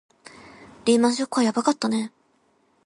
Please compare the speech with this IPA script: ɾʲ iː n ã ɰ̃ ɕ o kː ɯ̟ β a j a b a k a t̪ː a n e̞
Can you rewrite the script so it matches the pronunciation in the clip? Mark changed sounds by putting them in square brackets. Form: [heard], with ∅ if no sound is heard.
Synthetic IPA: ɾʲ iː [m] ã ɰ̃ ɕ o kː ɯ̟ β a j a b a k a t̪ː a n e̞